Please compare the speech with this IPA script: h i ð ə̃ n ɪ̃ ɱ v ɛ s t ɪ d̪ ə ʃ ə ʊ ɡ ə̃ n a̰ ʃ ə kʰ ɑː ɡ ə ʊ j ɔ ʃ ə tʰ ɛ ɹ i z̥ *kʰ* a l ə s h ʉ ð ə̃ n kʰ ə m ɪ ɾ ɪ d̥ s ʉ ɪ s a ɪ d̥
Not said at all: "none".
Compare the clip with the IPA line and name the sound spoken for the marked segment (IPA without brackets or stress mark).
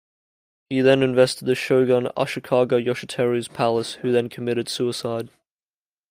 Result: pʰ